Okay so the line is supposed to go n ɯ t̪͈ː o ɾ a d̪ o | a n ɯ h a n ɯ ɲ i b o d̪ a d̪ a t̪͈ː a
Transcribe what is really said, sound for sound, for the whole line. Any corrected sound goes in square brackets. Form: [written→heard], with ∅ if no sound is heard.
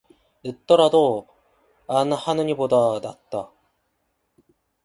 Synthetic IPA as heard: n ɯ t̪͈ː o ɾ a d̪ o | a n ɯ h a n ɯ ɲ i b o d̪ a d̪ a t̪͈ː a